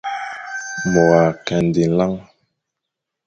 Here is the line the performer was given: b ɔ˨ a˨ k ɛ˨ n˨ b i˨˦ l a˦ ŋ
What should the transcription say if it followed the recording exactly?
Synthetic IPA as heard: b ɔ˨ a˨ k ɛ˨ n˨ d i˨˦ l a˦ ŋ

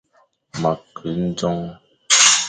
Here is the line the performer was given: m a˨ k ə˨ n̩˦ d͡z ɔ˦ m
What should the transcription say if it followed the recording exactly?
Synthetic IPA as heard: m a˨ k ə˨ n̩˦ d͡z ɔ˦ ŋ

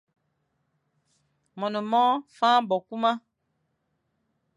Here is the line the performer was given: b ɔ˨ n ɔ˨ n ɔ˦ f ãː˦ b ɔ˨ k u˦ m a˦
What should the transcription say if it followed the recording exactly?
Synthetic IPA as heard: m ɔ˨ n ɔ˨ m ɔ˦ f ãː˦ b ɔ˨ k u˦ m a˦

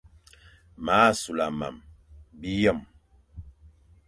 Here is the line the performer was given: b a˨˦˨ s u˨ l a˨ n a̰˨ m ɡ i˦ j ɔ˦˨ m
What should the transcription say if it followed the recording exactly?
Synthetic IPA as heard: m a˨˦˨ s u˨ l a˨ m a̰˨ m b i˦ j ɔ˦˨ m

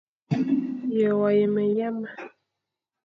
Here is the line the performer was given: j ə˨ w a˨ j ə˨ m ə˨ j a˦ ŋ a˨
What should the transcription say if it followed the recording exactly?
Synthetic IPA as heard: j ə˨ w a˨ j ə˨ m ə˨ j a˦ m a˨

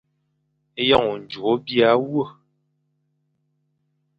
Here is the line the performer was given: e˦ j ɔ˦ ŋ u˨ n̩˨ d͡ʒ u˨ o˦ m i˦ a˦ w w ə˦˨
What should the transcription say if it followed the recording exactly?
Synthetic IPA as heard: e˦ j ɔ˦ ŋ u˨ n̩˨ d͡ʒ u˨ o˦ b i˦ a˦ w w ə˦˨

